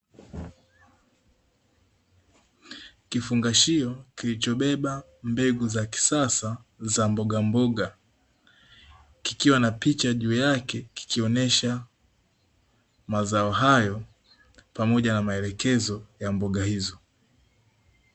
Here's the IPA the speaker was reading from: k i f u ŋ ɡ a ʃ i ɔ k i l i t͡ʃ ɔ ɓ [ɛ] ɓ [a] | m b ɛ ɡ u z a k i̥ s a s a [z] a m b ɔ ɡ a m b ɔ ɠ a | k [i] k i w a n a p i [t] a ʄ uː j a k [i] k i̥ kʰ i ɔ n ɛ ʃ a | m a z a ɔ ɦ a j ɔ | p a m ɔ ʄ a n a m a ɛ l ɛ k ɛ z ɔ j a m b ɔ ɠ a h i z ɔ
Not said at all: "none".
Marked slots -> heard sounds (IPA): ɛ, a, z, i, t͡ʃ, ɛ

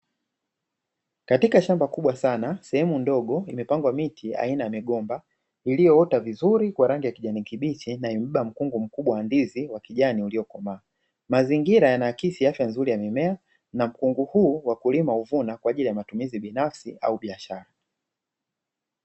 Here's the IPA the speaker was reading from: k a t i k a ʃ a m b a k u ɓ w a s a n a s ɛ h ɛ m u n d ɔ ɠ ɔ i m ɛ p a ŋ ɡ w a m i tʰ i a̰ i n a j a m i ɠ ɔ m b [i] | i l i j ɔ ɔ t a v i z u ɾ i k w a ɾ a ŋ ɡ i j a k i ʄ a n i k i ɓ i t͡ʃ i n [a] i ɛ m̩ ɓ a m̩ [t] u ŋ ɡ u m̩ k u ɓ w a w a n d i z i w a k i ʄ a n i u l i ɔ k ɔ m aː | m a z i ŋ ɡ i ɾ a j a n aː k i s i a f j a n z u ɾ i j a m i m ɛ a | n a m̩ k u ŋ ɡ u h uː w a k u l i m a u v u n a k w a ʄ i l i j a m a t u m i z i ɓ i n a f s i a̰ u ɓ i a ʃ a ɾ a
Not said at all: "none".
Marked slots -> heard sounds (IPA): a, a, k

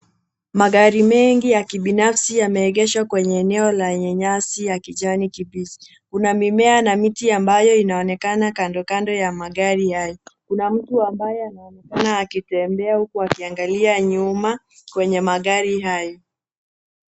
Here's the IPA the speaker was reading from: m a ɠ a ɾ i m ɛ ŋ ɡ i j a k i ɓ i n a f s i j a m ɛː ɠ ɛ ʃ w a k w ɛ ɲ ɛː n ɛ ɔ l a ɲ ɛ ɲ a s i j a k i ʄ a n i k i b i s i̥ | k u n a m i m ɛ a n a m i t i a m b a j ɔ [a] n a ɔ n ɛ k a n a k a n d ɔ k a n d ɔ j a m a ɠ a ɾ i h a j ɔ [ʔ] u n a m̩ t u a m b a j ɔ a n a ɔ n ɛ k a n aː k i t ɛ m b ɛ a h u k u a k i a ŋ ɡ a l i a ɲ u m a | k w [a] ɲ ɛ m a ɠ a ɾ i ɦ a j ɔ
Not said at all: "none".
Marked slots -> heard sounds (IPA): i, k, ɛ

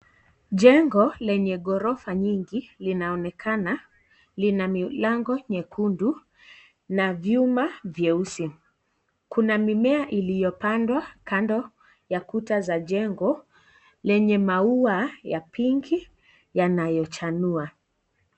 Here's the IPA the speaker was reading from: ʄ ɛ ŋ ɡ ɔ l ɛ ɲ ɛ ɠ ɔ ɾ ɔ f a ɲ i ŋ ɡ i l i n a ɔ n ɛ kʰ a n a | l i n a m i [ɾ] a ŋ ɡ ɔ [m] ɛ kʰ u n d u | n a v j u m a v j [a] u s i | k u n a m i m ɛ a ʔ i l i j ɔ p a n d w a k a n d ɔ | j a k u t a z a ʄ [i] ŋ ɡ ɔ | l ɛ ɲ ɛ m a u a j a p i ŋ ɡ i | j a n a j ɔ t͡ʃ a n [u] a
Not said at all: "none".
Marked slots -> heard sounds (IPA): l, ɲ, ɛ, ɛ, u

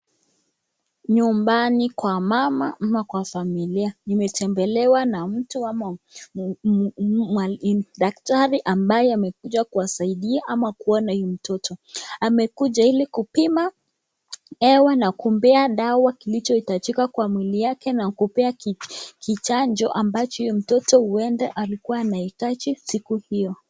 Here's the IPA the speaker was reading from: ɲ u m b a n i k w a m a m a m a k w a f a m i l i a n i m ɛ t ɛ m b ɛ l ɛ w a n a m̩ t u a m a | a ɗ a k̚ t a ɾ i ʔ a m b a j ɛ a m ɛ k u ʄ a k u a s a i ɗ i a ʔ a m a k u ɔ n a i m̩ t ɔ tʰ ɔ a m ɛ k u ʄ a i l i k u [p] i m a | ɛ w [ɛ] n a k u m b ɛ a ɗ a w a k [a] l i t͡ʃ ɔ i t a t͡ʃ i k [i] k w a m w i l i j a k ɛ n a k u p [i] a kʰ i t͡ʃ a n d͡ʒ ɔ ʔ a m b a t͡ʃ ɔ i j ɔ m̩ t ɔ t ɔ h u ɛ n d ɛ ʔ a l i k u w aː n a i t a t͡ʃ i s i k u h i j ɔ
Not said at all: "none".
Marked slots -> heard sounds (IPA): p, a, i, a, ɛ

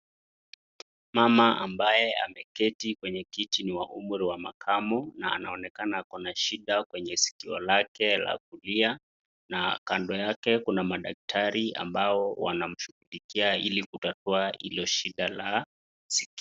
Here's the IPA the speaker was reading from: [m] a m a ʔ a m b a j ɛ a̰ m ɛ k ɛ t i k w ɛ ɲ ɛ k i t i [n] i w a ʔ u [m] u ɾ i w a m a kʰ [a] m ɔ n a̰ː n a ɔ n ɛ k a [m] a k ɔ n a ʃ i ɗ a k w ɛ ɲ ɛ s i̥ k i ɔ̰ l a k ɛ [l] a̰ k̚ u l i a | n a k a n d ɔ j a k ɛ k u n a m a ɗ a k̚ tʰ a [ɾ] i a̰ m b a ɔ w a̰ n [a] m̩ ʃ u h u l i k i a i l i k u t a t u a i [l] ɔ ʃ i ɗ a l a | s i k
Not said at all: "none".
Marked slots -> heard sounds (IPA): m, n, m, a, n, l, ɾ, a, l

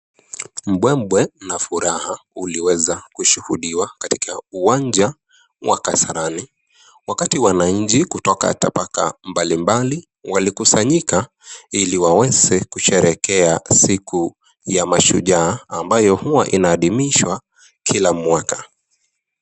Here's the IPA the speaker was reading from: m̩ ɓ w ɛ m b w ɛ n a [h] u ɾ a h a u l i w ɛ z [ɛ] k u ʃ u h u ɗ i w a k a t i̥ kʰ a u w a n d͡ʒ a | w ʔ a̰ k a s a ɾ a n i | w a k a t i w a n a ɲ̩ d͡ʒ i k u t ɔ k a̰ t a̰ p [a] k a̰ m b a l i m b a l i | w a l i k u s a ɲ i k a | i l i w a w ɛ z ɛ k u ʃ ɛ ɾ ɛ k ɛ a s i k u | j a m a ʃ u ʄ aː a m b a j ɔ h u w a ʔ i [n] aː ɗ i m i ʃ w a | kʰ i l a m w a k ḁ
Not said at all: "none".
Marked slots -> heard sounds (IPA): f, a, a, n

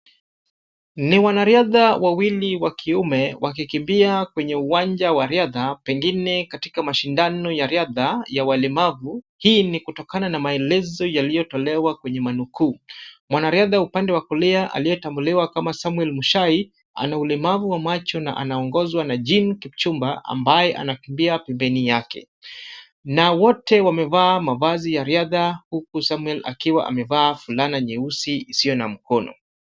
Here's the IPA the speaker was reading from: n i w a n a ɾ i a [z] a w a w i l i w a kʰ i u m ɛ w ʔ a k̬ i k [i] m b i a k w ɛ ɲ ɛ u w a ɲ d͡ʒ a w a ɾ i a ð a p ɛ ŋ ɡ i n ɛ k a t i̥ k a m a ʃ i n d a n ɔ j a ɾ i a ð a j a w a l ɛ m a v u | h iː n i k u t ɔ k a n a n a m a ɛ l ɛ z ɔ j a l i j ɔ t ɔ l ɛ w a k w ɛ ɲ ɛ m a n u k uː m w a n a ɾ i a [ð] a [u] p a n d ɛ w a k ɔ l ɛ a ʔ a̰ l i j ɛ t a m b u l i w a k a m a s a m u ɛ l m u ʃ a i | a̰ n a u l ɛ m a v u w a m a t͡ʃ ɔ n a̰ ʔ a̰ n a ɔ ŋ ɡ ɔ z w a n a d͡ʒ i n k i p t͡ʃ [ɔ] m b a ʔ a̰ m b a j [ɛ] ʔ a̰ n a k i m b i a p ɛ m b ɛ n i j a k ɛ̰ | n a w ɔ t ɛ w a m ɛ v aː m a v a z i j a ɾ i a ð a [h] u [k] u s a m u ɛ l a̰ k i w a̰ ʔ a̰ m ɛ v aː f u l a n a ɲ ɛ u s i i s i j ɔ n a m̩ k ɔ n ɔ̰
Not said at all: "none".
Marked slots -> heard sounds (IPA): ð, i, ð, u, u, ɛ, h, k

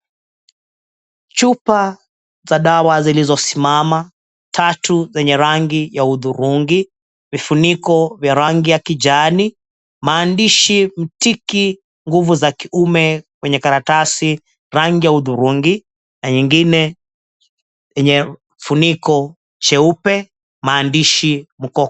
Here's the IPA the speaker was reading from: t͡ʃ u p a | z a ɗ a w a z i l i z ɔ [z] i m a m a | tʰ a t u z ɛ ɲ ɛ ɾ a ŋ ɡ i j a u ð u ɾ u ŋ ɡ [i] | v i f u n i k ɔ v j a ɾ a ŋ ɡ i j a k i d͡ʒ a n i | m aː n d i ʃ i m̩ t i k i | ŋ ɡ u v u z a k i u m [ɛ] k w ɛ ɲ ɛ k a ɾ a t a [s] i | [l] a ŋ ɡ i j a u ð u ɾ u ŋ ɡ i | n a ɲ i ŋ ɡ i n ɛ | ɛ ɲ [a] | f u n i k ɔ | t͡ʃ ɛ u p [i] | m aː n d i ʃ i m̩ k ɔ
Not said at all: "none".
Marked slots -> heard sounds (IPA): s, i, ɛ, s, ɾ, ɛ, ɛ

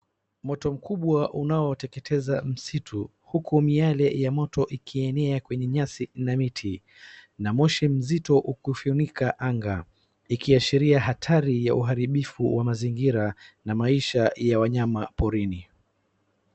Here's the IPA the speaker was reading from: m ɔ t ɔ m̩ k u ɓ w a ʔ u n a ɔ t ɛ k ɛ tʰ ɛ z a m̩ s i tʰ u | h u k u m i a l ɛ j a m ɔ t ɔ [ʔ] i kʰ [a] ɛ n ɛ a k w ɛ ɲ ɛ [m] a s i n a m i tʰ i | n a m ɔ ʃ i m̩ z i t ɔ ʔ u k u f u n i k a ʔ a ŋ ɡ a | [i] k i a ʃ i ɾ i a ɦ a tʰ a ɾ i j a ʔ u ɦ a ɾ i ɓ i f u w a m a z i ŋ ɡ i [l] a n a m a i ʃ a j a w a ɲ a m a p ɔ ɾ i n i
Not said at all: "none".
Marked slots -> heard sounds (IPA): ʔ, i, ɲ, i, ɾ

